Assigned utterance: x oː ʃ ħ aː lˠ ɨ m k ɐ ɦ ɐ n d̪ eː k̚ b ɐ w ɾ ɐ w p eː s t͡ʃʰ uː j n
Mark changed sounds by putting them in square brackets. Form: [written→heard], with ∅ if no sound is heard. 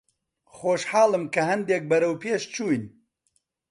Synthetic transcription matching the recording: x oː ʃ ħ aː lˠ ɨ m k ɐ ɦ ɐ n d̪ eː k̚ b ɐ [w→∅] ɾ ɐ w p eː [s→ʃ] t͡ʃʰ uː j n

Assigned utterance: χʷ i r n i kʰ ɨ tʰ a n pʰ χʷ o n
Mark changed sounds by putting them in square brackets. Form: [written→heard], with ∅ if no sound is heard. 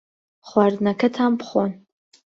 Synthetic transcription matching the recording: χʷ [i→a] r n [i→a] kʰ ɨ tʰ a [n→m] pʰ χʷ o n

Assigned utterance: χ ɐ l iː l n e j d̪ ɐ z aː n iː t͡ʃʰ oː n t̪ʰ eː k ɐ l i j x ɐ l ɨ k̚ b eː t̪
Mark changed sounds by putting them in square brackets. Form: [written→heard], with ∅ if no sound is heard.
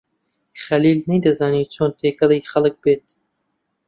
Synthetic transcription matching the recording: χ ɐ l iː l n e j d̪ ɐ z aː n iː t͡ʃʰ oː n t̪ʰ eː k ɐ l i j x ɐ l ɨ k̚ b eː t̪

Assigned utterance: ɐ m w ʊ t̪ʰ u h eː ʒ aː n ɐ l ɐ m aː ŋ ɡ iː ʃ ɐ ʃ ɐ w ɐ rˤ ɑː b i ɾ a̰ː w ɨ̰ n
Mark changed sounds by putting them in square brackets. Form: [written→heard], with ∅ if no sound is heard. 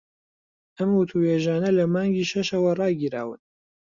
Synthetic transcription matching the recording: ɐ m w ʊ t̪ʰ u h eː ʒ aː n ɐ l ɐ m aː ŋ ɡ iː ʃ ɐ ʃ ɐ w ɐ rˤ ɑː [b→ɡ] i ɾ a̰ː w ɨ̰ n

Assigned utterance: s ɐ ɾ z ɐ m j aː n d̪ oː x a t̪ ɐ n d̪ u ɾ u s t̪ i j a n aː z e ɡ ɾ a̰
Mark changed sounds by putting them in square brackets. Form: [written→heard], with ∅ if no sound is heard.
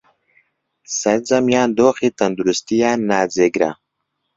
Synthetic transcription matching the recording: s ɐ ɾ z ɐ m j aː n d̪ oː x [a→i] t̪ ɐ n d̪ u ɾ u s t̪ i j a n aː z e ɡ ɾ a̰

